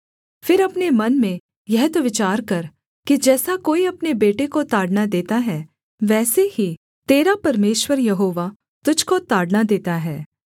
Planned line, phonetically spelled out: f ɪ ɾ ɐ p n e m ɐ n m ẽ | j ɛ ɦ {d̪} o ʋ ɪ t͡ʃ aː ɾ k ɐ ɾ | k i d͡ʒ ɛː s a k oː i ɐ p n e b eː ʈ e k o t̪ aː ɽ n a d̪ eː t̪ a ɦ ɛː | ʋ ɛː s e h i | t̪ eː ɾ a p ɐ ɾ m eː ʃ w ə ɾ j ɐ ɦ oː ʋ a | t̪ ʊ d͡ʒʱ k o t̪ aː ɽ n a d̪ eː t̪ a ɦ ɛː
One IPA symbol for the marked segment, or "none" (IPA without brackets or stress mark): t̪